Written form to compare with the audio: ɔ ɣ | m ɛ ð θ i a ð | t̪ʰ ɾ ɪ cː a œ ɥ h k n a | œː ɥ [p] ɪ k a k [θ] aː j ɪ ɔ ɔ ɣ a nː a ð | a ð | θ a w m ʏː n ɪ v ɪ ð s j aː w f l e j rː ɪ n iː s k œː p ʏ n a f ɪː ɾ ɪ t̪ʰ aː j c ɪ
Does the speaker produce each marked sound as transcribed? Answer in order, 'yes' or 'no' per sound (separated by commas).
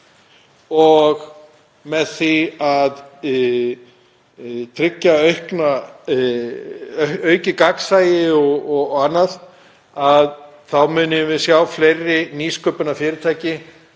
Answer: no, no